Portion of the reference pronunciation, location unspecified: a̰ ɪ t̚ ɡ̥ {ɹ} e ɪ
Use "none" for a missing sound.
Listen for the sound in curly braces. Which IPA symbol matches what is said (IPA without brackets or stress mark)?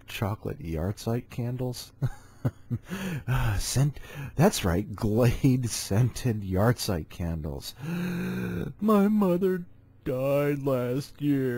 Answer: l